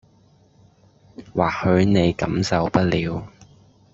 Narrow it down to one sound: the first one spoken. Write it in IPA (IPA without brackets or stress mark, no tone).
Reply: w